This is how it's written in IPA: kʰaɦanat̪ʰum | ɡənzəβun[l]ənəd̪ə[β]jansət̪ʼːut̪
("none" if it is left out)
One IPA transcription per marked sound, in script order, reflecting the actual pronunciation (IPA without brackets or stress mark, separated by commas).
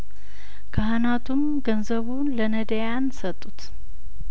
l, none